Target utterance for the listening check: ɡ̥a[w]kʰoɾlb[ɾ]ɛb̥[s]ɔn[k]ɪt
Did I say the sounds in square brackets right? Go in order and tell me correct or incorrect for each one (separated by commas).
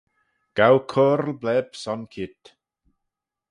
correct, incorrect, correct, incorrect